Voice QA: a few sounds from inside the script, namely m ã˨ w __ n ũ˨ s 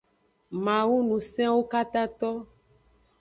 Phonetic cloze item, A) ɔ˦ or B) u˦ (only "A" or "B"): B